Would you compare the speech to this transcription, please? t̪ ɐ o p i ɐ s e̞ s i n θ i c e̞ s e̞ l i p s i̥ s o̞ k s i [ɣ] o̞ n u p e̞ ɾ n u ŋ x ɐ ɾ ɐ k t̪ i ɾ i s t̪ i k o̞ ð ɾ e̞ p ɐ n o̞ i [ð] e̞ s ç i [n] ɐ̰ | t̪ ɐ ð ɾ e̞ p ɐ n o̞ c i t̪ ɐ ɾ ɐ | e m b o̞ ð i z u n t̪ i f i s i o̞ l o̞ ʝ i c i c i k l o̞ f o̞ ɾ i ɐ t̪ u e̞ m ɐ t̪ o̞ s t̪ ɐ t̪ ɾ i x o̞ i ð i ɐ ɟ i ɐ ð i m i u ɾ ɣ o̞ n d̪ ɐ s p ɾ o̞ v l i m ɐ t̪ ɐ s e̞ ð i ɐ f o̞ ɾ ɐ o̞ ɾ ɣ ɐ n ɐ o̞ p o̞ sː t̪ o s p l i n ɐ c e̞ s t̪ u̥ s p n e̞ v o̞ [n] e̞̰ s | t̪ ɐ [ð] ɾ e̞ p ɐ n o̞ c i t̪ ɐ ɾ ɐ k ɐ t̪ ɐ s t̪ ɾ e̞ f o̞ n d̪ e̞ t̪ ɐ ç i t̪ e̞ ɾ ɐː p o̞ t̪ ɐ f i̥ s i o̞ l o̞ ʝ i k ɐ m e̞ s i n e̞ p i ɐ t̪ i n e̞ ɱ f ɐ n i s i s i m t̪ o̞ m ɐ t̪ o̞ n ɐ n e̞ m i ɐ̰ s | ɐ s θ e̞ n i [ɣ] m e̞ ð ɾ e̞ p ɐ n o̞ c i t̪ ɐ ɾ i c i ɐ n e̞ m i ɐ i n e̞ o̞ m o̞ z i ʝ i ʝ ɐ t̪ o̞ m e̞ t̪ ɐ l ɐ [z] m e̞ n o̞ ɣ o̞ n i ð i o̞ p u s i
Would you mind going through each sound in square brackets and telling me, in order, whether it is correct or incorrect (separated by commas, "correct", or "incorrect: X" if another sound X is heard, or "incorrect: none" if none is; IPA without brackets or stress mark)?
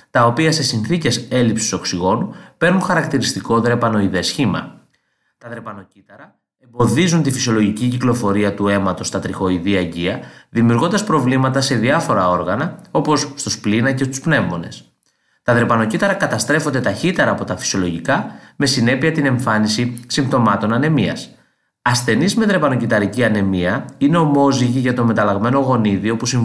correct, correct, incorrect: m, correct, correct, incorrect: z, incorrect: ɣ